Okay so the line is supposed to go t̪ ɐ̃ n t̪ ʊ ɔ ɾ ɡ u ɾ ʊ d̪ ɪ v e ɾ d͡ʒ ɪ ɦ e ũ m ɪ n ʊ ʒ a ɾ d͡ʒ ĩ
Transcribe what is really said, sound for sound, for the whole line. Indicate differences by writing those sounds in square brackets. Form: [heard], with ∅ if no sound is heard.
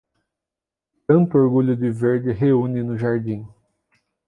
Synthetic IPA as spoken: t̪ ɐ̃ n t̪ ʊ [o] ɾ ɡ u [ʎ] ʊ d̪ ɪ v e ɾ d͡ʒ ɪ ɦ e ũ [n] ɪ n ʊ ʒ a ɾ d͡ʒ ĩ

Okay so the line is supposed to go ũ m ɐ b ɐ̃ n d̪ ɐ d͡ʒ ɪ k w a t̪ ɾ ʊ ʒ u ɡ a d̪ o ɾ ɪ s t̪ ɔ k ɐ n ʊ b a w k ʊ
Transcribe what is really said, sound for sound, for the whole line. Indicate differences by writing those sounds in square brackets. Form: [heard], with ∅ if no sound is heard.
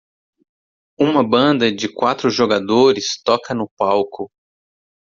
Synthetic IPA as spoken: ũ m ɐ b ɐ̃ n d̪ ɐ d͡ʒ ɪ k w a t̪ ɾ ʊ ʒ [o] ɡ a d̪ o ɾ ɪ s t̪ ɔ k ɐ n ʊ [p] a w k ʊ

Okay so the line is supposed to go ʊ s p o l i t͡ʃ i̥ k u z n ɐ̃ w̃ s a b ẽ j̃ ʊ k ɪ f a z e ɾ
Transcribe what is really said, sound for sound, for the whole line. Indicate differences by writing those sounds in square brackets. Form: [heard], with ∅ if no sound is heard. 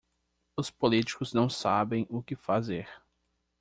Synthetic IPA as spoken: ʊ s p o l i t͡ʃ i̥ k [ʊ] z n ɐ̃ w̃ s a b ẽ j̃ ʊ k ɪ f a z e ɾ

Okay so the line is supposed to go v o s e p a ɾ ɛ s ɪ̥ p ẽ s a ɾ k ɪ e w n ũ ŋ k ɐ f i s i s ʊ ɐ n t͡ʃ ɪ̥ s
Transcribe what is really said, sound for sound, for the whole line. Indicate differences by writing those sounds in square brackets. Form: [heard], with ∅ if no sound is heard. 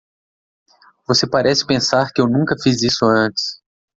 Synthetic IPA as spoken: v o s e p a ɾ ɛ s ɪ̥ p ẽ s a ɾ k ɪ e w n ũ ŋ k ɐ f i [z] i s ʊ [ɐ̃] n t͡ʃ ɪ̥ s

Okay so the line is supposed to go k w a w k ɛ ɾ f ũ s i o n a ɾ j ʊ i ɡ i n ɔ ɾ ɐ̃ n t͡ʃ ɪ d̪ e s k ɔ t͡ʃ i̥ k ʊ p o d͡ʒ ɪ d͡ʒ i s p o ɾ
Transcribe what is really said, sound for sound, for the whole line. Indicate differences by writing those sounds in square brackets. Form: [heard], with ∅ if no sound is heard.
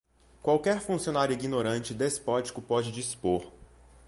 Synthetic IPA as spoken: k w a w k ɛ ɾ f ũ s i o n a ɾ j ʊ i ɡ i n [o] ɾ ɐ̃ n t͡ʃ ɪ d̪ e s [p] ɔ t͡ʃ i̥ k ʊ p [ɔ] d͡ʒ ɪ d͡ʒ i s p o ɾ

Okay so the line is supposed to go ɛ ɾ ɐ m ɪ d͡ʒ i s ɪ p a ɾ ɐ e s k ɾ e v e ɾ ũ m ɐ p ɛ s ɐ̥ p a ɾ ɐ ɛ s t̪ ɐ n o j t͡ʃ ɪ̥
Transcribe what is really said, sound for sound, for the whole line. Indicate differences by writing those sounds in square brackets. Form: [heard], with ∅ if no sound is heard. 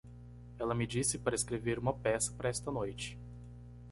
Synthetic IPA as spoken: ɛ [l] ɐ m ɪ d͡ʒ i s ɪ p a ɾ ɐ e s k ɾ e v e ɾ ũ m ɐ p ɛ s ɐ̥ p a ɾ ɐ ɛ s t̪ ɐ n o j t͡ʃ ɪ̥

